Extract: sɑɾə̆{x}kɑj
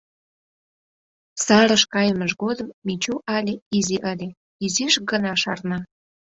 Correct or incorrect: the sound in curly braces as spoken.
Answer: incorrect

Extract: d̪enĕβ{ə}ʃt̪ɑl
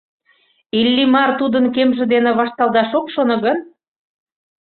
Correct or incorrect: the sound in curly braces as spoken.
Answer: incorrect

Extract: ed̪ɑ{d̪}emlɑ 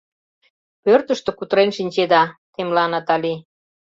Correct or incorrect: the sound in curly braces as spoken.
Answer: incorrect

